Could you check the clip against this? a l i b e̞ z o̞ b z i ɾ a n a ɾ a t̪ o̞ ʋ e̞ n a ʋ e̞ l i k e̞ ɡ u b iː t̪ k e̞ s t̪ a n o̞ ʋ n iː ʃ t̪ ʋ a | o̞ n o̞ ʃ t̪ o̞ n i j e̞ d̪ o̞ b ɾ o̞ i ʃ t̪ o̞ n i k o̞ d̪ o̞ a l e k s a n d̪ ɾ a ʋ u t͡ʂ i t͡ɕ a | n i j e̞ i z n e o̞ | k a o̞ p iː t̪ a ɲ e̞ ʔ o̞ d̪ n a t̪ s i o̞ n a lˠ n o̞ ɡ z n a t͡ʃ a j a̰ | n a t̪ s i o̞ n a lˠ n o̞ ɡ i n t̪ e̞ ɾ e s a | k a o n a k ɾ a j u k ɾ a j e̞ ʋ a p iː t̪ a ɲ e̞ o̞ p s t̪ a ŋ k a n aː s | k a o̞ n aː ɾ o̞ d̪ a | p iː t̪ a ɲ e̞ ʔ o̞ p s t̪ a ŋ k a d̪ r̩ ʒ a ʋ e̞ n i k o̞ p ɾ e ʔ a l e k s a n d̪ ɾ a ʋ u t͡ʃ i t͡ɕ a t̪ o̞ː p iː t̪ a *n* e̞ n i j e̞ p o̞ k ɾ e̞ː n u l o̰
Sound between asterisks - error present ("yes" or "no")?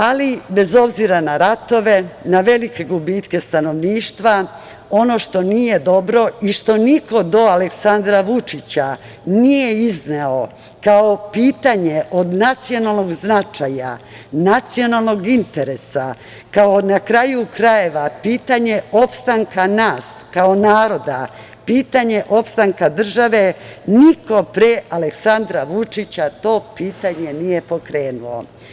yes